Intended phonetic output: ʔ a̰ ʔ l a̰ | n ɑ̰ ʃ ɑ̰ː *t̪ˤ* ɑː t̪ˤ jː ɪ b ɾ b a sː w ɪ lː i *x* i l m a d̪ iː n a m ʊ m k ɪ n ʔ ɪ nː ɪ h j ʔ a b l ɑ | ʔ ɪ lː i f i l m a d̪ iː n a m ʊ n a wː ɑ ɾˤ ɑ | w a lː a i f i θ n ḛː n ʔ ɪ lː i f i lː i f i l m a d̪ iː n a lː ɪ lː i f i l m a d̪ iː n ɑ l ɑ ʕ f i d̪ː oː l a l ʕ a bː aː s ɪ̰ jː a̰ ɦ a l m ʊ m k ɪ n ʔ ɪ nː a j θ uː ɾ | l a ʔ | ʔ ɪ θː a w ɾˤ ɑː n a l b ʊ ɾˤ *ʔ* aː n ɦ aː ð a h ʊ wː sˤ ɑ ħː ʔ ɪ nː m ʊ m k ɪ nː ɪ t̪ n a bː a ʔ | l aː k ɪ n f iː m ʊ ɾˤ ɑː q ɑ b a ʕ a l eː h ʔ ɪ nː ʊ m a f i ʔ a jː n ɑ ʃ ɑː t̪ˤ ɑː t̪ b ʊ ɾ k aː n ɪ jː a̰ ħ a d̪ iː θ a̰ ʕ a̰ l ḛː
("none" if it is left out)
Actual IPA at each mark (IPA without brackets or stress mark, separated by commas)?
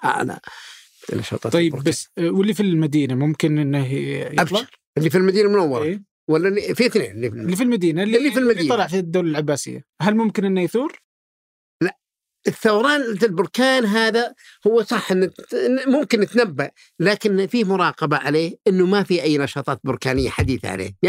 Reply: t̪ˤ, f, k